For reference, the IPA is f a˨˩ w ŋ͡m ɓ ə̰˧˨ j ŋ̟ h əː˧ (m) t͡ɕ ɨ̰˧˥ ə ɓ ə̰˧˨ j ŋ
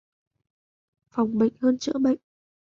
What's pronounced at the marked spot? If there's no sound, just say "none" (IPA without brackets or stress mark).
n